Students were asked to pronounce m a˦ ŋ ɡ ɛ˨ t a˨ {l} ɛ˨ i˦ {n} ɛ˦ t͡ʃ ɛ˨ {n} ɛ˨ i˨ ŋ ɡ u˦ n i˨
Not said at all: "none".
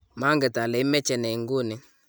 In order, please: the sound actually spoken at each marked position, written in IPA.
l, m, n

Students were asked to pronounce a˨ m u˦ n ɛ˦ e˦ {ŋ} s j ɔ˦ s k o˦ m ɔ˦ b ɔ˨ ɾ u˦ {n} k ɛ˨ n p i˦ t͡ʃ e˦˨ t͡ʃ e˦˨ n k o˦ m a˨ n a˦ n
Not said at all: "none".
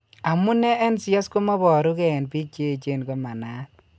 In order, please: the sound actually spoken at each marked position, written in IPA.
n, none

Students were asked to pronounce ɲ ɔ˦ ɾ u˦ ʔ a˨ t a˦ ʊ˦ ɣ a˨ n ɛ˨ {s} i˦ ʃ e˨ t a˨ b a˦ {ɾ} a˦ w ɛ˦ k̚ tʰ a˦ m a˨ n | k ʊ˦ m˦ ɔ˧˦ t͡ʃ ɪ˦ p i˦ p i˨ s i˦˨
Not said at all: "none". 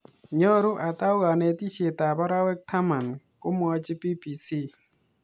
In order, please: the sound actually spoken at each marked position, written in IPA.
t, ɾ

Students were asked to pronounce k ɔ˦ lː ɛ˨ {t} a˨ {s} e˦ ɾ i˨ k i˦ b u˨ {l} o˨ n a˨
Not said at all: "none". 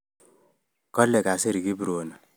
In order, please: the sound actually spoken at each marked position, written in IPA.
k, s, ɾ

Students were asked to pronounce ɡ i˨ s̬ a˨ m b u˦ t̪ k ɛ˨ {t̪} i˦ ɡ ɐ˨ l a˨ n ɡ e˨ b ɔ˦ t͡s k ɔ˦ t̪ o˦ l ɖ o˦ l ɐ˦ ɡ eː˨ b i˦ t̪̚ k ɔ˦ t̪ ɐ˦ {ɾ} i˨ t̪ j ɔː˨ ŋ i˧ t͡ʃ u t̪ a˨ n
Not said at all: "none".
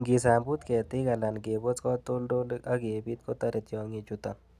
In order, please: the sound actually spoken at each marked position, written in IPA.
t̪, ɾ

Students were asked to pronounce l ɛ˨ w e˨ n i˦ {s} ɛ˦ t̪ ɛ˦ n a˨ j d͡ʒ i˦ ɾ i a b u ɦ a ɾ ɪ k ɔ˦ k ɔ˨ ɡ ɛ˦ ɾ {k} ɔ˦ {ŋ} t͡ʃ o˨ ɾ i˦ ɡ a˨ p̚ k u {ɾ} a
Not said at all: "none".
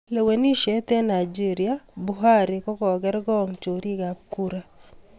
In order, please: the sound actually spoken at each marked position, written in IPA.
ʃ, ɡ, ŋ, ɾ

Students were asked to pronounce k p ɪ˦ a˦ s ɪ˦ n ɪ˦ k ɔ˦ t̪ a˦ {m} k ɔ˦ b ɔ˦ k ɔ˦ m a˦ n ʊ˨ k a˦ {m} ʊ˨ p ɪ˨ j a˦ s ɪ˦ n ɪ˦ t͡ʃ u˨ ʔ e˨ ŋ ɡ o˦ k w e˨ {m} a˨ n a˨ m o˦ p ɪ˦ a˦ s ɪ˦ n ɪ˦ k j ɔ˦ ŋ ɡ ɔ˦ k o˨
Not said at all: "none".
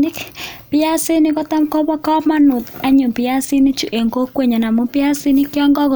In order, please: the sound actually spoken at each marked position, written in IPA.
m, ɲ, ɲ

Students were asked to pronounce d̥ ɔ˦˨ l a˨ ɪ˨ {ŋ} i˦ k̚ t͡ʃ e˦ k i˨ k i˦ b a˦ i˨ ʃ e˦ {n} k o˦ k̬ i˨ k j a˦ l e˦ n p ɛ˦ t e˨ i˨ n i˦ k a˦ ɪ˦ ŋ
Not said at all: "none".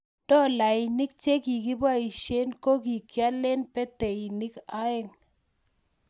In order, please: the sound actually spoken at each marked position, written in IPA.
n, n

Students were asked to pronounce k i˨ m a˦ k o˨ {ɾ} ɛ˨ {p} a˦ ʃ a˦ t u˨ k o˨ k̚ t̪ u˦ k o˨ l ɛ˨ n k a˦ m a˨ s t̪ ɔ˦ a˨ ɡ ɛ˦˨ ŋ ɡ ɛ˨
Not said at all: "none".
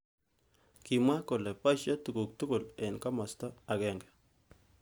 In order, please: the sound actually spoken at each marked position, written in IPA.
l, p

